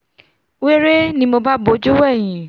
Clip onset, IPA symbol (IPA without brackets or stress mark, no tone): w